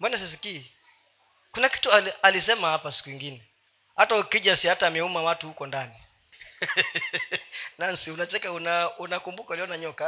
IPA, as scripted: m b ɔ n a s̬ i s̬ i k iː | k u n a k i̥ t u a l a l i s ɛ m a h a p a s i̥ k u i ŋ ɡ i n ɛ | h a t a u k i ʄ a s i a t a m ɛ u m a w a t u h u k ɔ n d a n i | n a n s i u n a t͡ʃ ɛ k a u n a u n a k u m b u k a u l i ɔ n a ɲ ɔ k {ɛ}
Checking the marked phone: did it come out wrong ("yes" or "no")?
yes